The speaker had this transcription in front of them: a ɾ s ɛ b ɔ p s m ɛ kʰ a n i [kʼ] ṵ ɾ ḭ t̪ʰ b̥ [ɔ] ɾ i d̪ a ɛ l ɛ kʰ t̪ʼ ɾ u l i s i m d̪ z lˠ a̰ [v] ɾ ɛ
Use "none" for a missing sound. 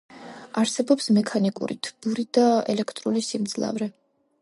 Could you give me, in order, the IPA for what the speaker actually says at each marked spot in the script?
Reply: kʼ, u, v

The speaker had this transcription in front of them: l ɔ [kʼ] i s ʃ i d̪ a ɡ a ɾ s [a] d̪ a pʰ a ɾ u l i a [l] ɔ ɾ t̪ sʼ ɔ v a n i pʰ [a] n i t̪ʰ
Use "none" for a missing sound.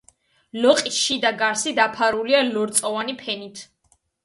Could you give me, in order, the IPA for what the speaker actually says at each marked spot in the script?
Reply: qʼ, i, l, ɛ

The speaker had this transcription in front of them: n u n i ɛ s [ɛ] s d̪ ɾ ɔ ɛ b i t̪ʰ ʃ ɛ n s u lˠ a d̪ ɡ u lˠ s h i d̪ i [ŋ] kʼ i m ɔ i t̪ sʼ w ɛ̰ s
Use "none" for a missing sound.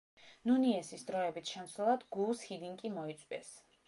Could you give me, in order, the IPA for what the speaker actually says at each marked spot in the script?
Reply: i, ŋ

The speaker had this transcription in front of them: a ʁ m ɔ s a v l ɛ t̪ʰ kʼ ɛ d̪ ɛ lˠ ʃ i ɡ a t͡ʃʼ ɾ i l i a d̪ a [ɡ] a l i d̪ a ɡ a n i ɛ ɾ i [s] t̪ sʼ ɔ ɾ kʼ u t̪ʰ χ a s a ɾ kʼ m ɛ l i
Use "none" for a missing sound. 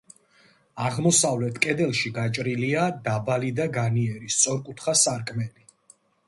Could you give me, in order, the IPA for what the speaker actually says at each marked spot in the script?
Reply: b, s

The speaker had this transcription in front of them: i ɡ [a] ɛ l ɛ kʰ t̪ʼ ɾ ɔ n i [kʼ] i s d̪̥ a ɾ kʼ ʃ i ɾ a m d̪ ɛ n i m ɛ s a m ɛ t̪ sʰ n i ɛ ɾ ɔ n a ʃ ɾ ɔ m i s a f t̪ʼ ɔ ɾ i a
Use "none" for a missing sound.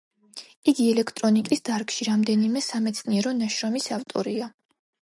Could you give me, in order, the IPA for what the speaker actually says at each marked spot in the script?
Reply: i, kʼ

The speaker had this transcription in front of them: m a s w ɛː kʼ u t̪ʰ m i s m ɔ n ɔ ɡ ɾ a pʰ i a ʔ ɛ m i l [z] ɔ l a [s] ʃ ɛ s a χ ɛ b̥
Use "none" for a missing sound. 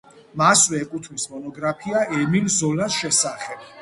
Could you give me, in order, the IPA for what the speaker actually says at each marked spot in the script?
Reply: z, s

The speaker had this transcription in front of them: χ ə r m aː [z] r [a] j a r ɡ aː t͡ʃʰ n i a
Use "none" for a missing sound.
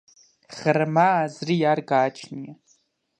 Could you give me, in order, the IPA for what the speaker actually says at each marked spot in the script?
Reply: z, i

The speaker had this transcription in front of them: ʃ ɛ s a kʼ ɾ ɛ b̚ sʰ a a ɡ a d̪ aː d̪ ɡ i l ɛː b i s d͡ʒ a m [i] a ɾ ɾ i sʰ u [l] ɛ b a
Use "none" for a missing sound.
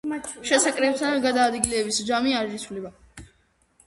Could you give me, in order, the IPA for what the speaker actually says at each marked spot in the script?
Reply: i, l

